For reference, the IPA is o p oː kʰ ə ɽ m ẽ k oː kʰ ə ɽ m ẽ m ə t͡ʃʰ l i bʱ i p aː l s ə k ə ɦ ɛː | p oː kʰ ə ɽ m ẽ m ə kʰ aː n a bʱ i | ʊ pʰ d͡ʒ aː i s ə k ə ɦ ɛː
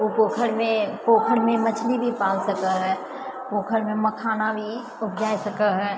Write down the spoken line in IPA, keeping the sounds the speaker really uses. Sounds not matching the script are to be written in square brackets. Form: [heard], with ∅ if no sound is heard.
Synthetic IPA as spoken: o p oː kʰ ə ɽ m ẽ [p] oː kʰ ə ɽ m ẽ m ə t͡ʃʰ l i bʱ i p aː l s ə k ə ɦ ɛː | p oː kʰ ə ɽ m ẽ m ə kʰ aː n a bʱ i | ʊ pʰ d͡ʒ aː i s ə k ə ɦ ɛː